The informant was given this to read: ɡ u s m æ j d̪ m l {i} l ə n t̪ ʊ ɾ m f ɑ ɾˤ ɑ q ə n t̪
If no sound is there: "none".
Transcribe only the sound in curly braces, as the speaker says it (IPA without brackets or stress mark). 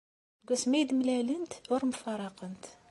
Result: æ